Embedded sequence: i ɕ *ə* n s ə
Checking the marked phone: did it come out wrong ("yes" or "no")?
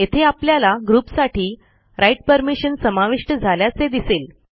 no